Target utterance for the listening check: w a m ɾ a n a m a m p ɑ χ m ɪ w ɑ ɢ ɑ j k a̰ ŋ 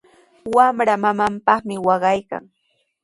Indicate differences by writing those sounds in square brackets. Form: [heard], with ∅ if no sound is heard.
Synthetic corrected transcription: w a m ɾ a [m] a m a m p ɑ χ m ɪ w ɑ ɢ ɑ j k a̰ ŋ